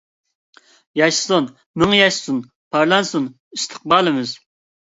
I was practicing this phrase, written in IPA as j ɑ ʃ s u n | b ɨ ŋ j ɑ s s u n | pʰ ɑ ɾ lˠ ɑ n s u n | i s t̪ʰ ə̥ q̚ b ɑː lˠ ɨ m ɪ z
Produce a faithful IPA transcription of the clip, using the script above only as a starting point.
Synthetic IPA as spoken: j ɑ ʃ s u n | m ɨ ŋ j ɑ ʃ s u n | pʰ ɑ ɾ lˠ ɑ n s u n | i s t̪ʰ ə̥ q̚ b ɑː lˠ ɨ m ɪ z